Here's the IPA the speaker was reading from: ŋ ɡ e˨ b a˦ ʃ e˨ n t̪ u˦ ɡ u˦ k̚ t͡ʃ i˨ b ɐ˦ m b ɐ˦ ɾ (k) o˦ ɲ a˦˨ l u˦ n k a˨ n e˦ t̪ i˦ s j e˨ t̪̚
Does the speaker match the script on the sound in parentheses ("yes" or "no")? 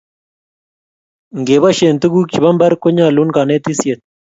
yes